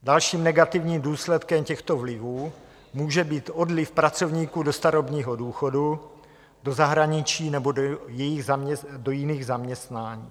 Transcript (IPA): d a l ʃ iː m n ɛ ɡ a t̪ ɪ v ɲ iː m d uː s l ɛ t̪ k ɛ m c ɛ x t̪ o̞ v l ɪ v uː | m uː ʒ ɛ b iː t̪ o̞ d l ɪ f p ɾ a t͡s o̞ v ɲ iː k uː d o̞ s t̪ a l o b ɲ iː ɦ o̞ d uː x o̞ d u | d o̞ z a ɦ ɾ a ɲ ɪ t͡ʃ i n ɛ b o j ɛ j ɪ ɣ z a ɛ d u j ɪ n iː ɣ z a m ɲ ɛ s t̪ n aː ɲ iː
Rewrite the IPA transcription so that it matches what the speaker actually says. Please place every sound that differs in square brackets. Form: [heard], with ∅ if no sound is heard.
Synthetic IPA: d a l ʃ iː m n ɛ ɡ a t̪ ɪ v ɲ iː m d uː s l ɛ t̪ k ɛ m c ɛ x t̪ o̞ v l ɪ v uː | m uː ʒ ɛ b iː t̪ o̞ d l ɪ f p ɾ a t͡s o̞ v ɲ iː k uː d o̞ s t̪ a [ɾ] o b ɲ iː ɦ o̞ d uː x o̞ d u | d o̞ z a ɦ ɾ a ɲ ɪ t͡ʃ [iː] n ɛ b o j ɛ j ɪ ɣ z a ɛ d [o] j ɪ n iː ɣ z a m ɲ ɛ s t̪ n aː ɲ iː